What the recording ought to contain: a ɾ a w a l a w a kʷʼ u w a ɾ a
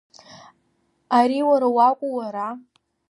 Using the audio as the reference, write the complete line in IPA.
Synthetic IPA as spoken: a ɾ i w a ɾ a w a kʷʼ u w a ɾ a